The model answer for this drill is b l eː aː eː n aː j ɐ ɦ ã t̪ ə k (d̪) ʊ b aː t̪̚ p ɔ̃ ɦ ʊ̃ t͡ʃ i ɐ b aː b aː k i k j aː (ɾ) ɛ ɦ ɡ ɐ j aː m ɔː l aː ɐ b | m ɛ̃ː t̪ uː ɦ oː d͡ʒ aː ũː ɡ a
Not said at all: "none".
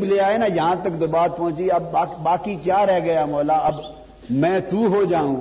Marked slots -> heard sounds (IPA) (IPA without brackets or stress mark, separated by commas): d̪, ɾ